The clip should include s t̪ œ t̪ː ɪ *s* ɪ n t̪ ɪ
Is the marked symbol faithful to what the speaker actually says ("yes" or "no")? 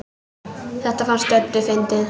no